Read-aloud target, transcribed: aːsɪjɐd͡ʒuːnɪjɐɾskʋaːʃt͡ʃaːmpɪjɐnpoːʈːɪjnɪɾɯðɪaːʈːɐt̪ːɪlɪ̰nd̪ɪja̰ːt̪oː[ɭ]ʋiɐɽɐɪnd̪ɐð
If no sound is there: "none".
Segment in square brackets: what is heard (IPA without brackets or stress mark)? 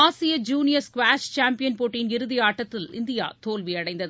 l